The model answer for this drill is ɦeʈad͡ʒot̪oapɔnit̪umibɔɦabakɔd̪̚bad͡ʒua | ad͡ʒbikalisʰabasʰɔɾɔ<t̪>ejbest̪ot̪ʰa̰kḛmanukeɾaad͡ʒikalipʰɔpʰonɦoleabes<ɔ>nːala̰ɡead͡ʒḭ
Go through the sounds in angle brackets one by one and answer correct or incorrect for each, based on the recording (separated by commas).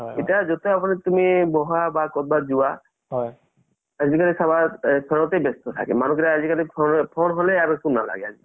correct, incorrect